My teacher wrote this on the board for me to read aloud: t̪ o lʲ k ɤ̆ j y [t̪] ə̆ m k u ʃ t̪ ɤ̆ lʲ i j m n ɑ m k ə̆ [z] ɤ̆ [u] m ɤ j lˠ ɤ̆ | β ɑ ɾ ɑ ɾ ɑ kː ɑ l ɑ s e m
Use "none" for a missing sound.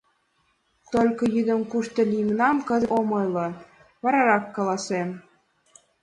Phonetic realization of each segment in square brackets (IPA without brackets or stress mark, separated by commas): d̪, z, o